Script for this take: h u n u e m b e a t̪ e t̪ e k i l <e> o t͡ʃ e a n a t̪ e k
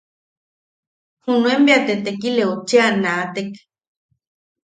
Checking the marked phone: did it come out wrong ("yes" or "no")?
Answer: no